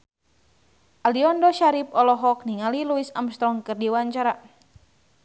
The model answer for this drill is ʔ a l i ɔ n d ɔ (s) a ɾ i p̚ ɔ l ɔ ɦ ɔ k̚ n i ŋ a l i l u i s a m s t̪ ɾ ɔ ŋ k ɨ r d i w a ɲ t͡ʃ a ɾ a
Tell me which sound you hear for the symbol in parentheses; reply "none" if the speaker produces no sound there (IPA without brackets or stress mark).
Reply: ʃ